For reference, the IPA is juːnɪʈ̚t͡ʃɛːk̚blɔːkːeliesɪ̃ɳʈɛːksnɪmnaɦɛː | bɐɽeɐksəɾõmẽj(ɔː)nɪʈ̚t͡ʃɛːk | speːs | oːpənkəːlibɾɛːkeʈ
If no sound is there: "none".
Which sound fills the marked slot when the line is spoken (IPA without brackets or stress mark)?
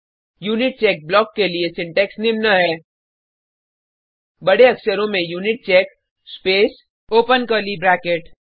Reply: uː